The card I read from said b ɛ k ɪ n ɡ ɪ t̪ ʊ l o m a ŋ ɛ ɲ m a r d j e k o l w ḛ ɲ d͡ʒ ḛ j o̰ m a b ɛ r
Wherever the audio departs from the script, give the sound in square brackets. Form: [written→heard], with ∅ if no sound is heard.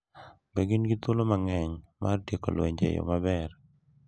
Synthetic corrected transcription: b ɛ [k→ɡ] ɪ n ɡ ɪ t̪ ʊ l o m a ŋ ɛ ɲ m a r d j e k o l w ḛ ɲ d͡ʒ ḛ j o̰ m a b ɛ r